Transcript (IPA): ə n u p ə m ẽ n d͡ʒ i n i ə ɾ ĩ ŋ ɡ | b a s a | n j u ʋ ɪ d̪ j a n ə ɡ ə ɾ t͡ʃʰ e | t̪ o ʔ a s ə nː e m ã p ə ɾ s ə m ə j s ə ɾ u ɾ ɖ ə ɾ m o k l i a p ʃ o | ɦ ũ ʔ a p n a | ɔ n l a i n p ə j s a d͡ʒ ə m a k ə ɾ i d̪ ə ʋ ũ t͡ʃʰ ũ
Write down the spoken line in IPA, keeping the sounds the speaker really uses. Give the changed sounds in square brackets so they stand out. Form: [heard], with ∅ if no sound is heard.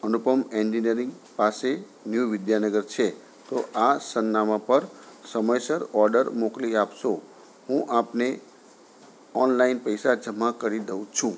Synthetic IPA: ə n u p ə m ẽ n d͡ʒ i n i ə ɾ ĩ ŋ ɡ | [p] a s [e] | n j u ʋ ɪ d̪ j a n ə ɡ ə ɾ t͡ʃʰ e | t̪ o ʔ a s ə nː [a] m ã p ə ɾ s ə m ə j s ə ɾ [ɔ] ɾ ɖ ə ɾ m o k l i a p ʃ o | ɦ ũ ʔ a p n [e] | ɔ n l a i n p ə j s a d͡ʒ ə m a k ə ɾ i d̪ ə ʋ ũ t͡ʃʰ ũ

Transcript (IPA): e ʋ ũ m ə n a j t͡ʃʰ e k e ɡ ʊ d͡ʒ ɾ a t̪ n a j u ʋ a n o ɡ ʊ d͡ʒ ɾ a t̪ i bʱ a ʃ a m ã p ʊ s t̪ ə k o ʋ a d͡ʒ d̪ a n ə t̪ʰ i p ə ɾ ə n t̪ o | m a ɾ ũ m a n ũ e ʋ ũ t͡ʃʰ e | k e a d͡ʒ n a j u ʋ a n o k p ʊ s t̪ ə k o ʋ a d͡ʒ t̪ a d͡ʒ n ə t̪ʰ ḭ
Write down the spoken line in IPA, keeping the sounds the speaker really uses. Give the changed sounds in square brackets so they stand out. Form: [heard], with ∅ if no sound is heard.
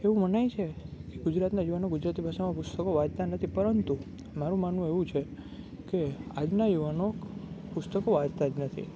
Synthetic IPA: e ʋ ũ m ə n a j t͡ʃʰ e k e ɡ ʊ d͡ʒ ɾ a t̪ n a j u ʋ a n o ɡ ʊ d͡ʒ ɾ a t̪ i bʱ a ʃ a m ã p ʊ s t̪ ə k o ʋ a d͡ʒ [t̪] a n ə t̪ʰ i p ə ɾ ə n t̪ [u] | m a ɾ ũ m a n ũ e ʋ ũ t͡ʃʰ e | k e a d͡ʒ n a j u ʋ a n o k p ʊ s t̪ ə k o ʋ a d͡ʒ t̪ a d͡ʒ n ə t̪ʰ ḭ

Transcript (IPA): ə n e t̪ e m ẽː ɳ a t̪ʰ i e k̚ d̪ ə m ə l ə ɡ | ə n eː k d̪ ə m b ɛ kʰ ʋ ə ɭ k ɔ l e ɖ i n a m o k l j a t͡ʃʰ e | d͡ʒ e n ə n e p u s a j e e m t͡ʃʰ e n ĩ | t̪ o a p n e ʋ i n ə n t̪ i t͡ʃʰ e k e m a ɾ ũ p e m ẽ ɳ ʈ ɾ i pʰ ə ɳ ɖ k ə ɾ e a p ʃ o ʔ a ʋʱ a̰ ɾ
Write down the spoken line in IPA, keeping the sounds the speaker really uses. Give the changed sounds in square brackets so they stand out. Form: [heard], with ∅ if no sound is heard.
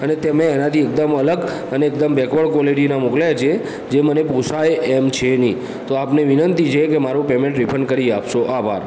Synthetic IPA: ə n e t̪ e m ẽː [n] a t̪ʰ i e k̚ d̪ ə m ə l ə ɡ | ə n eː k d̪ ə m b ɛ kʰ ʋ ə ɭ k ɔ l e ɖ i n a m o k l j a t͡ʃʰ e | d͡ʒ e [m] ə n e p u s a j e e m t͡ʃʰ e n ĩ | t̪ o a p n e ʋ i n ə n t̪ i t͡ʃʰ e k e m a ɾ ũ p e m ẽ ɳ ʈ ɾ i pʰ ə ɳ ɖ k ə ɾ [i] a p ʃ o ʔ a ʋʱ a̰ ɾ

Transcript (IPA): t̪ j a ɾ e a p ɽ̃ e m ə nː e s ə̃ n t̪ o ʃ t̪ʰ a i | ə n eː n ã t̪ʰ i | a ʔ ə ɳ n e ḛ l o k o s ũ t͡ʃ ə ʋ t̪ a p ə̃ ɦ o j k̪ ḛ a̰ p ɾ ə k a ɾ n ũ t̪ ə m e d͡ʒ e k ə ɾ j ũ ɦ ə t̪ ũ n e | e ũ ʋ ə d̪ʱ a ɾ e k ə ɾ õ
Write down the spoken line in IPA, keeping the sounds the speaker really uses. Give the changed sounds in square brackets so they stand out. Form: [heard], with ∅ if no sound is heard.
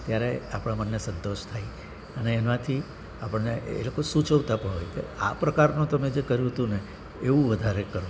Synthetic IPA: t̪ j a ɾ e a p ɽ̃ [a] m ə nː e s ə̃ n t̪ o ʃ t̪ʰ a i | ə n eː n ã t̪ʰ i | a [p] ə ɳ n e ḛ l o k o s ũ t͡ʃ ə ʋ t̪ a p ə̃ ɦ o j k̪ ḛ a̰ p ɾ ə k a ɾ n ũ t̪ ə m e d͡ʒ e k ə ɾ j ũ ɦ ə t̪ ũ n e | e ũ ʋ ə d̪ʱ a ɾ e k ə ɾ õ

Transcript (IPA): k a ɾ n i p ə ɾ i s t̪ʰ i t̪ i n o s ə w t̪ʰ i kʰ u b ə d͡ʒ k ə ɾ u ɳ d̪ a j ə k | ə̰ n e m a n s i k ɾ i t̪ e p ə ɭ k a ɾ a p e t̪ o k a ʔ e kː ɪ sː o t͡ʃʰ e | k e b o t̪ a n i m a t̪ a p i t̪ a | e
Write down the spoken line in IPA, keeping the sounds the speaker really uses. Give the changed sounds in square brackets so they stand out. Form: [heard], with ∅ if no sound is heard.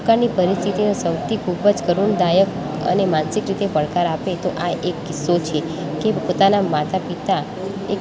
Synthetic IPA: k a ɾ n i p ə ɾ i s t̪ʰ i t̪ i n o s ə w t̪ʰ i kʰ u b ə d͡ʒ k ə ɾ u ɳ d̪ a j ə k | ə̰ n e m a n s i k ɾ i t̪ e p ə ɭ k a ɾ a p e t̪ o [ʔ] a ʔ e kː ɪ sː o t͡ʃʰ e | k e [p] o t̪ a n [a] m a t̪ a p i t̪ a | e

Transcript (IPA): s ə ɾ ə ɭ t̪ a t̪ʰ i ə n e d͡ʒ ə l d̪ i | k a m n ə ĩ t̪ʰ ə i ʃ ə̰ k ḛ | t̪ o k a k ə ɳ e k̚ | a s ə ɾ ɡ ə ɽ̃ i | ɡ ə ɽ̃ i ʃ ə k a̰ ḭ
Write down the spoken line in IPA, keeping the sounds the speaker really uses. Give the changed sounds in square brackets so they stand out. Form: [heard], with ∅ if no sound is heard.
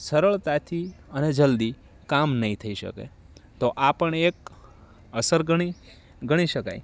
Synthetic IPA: s ə ɾ ə ɭ t̪ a t̪ʰ i ə n e d͡ʒ ə l d̪ i | k a m n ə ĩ t̪ʰ ə i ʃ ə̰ k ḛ | t̪ o [ʔ] a [p] ə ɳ e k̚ | [ə] s ə ɾ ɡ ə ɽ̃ i | ɡ ə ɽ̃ i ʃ ə k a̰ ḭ

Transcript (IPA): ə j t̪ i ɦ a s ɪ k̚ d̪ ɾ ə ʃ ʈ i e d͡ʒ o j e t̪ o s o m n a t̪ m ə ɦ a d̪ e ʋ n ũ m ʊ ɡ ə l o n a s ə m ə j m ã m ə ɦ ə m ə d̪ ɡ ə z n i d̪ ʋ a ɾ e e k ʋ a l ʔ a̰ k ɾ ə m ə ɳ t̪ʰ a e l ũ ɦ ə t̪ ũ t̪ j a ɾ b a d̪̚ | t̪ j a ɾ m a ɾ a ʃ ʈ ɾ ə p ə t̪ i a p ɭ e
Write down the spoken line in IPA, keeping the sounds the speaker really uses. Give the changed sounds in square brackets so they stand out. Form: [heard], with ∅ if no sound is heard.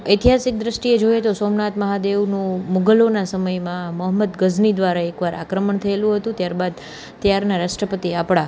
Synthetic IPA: ə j t̪ i ɦ a s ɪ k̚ d̪ ɾ ə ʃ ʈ i e d͡ʒ o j e t̪ o s o m n a t̪ m ə ɦ a d̪ e ʋ n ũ m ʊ ɡ ə l o n a s ə m ə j m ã m ə ɦ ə m ə d̪ ɡ ə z n i d̪ ʋ a ɾ [a] e k ʋ a [ɾ] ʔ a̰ k ɾ ə m ə ɳ t̪ʰ [ə] e l ũ ɦ ə t̪ ũ t̪ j a ɾ b a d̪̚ | t̪ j a ɾ [n] a ɾ a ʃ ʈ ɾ ə p ə t̪ i a p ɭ [a]

